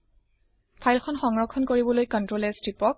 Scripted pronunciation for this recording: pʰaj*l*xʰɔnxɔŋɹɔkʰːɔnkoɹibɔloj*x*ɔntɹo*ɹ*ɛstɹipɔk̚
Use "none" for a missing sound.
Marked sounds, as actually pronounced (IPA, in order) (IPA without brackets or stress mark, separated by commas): l, k, l